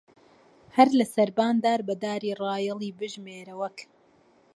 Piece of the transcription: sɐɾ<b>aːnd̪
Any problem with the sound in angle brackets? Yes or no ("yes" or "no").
no